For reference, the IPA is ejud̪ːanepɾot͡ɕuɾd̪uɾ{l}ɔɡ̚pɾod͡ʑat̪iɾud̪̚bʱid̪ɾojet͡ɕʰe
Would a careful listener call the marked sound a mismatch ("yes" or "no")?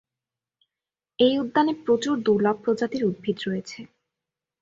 no